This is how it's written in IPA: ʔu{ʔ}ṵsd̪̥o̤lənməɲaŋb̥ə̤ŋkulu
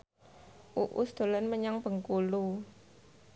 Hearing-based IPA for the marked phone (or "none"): ʔ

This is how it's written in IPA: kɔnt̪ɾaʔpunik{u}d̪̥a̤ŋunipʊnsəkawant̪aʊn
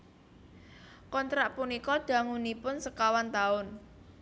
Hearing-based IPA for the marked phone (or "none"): ɔ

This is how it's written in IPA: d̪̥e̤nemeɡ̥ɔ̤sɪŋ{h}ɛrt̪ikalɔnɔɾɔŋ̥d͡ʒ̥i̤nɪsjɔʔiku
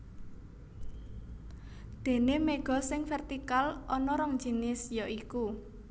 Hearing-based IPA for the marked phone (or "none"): f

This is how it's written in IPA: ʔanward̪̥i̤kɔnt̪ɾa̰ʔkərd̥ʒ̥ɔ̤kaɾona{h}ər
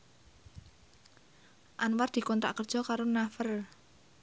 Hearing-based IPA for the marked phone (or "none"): f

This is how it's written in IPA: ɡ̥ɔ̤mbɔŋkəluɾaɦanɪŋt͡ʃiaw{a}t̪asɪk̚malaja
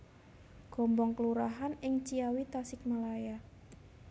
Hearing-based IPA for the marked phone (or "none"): i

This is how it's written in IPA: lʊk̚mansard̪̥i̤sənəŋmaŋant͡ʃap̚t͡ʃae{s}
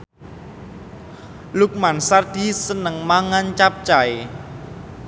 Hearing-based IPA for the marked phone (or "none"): none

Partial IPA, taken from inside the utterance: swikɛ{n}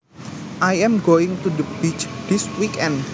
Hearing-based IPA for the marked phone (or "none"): n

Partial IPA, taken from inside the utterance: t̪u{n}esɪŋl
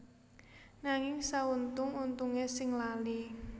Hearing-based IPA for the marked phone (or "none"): ŋ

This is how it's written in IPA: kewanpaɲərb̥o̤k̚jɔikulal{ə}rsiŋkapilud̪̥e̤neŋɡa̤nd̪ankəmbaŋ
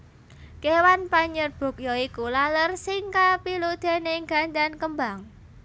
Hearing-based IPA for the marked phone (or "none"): ə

